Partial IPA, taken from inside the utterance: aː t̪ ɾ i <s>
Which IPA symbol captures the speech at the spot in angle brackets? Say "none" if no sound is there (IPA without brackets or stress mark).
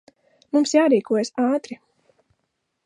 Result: none